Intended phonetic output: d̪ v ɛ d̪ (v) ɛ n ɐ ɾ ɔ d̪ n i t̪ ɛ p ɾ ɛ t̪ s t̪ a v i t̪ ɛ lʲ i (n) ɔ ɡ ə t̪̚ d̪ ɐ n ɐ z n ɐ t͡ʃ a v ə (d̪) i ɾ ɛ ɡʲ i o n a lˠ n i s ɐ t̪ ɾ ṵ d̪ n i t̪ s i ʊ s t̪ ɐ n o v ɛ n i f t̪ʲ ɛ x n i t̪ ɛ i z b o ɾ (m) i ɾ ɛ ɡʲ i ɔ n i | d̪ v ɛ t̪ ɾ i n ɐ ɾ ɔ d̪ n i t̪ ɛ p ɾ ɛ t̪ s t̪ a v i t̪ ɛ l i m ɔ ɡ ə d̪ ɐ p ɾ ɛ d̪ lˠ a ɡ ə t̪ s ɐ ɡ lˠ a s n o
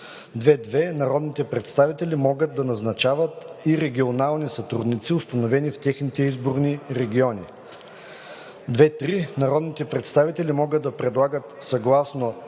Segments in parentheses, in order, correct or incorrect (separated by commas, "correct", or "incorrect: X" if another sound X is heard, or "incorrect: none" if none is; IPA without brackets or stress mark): correct, incorrect: m, incorrect: t̪, incorrect: n